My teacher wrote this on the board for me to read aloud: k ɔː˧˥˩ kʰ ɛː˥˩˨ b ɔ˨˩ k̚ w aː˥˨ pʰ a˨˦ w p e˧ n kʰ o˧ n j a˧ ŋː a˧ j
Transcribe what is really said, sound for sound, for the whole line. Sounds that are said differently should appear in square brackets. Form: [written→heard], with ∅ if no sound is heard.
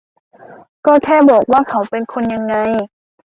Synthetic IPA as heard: k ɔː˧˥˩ kʰ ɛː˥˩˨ b [ɔ˨˩→ɔː˨˩] k̚ w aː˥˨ [pʰ→kʰ] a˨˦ w p e˧ n kʰ o˧ n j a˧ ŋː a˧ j